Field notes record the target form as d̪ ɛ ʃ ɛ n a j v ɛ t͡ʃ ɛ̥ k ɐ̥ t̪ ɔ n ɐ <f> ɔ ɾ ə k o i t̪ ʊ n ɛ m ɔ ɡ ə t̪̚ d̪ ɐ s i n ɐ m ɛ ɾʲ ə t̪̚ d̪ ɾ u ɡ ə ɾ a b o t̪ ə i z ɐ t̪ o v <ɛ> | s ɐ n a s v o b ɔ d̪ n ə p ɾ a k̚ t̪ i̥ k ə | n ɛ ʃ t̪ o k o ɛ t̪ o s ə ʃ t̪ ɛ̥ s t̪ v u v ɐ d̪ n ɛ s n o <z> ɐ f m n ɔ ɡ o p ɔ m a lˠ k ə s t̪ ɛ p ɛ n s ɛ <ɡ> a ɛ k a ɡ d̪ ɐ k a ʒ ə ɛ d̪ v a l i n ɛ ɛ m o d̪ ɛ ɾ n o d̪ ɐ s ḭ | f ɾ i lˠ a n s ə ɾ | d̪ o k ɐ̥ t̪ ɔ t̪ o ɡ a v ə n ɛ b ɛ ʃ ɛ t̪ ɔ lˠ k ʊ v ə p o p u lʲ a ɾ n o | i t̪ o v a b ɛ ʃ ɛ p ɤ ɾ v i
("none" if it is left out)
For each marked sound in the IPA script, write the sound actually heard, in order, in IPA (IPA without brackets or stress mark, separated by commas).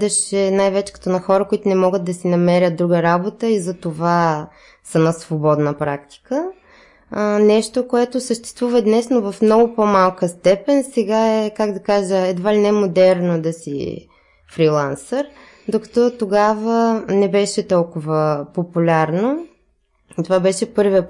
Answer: x, a, v, ɡ